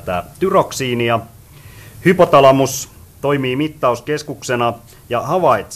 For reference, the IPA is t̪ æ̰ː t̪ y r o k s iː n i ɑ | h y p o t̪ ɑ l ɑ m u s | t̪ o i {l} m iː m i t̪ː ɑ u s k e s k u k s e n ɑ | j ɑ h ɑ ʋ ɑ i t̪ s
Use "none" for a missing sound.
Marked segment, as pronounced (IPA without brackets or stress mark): none